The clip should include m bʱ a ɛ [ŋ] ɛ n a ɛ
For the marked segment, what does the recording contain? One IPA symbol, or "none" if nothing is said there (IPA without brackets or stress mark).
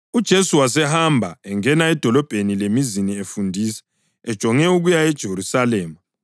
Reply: ŋ